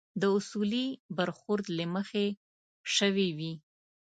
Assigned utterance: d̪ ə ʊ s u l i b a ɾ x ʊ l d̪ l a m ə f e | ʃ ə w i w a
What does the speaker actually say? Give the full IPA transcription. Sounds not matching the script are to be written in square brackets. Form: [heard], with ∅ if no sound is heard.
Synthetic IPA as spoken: d̪ ə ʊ s u l i b a ɾ x ʊ [ɾ] d̪ l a m ə [x] e | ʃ ə w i w [i]